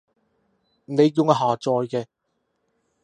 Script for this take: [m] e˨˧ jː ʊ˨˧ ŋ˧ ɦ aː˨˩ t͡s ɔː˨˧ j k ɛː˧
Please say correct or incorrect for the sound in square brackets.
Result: incorrect